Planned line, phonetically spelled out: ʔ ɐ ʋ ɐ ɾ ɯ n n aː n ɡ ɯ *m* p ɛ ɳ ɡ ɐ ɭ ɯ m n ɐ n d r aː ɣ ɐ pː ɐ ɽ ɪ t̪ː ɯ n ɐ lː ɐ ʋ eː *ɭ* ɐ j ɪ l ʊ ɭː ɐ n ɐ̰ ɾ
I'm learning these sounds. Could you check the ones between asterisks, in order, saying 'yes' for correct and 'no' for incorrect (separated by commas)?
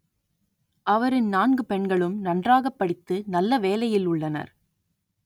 no, no